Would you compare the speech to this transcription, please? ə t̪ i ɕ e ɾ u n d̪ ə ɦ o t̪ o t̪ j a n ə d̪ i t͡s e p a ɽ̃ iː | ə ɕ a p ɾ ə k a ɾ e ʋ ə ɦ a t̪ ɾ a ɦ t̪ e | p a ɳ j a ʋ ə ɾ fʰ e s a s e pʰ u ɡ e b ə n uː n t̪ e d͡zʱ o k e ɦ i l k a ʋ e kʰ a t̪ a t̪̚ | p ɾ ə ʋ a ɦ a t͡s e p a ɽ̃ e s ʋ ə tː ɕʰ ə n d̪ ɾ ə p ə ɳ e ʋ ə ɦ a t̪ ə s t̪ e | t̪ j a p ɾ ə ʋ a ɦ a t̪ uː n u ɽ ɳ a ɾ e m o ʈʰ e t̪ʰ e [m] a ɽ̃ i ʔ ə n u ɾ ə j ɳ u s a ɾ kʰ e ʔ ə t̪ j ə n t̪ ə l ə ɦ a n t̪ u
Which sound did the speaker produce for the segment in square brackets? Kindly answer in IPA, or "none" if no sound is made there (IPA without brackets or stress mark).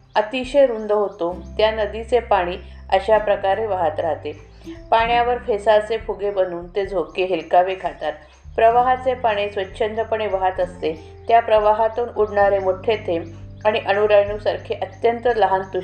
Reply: m